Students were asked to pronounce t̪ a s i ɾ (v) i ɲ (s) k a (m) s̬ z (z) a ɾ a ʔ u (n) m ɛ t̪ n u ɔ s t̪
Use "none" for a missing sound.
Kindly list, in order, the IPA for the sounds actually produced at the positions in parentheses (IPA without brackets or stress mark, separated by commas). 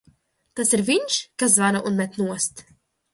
v, ʃ, none, v, n